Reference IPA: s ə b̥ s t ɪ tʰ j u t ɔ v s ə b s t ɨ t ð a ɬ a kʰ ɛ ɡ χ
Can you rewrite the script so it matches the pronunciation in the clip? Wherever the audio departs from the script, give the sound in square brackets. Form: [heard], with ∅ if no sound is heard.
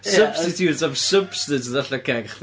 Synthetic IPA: s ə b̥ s t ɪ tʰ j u t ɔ v s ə b s t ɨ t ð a ɬ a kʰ ɛ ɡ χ